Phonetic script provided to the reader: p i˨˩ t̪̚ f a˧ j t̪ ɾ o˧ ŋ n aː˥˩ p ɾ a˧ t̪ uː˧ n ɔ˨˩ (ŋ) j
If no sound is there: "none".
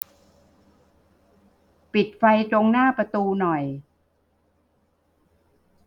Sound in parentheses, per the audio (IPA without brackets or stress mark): none